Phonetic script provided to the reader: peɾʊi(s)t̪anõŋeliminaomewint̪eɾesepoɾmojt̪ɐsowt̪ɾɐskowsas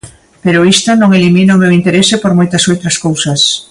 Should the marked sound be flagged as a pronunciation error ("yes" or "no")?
no